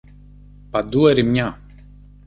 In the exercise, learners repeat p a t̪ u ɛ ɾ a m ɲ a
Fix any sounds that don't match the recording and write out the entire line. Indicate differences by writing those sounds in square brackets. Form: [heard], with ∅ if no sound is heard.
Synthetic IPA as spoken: p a [d̪] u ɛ ɾ [i] m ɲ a

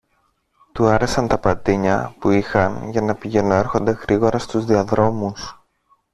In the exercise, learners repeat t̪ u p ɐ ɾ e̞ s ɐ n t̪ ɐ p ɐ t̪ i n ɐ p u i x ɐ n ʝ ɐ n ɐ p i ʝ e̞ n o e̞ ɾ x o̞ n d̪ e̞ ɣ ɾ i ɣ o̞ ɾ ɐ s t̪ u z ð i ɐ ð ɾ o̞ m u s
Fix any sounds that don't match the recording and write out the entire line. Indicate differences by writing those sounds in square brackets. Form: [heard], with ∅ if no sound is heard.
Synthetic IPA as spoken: t̪ u [∅] ɐ ɾ e̞ s ɐ n t̪ ɐ p ɐ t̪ i [ɲ] ɐ p u i x ɐ n ʝ ɐ n ɐ p i ʝ e̞ n o e̞ ɾ x o̞ n d̪ e̞ ɣ ɾ i ɣ o̞ ɾ ɐ s t̪ u z ð i ɐ ð ɾ o̞ m u s

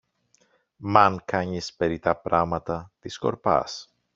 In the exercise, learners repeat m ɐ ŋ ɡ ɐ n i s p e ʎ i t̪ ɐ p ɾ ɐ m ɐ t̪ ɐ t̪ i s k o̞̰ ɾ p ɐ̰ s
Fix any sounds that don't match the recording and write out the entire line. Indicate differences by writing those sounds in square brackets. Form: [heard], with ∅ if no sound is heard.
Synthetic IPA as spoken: m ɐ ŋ [k] ɐ [ɲ] i s p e [ɾ] i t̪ ɐ p ɾ ɐ m ɐ t̪ ɐ t̪ i s k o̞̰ ɾ p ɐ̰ s

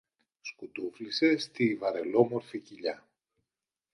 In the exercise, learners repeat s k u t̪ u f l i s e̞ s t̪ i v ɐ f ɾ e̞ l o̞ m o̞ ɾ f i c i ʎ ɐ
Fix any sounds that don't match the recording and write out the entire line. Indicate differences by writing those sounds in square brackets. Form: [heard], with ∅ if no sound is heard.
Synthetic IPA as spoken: s k u t̪ u f l i s e̞ s t̪ i v ɐ [∅] ɾ e̞ l o̞ m o̞ ɾ f i c i ʎ ɐ

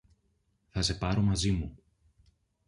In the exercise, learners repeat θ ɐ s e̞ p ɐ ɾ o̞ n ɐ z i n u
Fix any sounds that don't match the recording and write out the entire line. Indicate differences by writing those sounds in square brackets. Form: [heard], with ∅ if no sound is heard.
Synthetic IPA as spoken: θ ɐ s e̞ p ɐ ɾ o̞ [m] ɐ z i [m] u

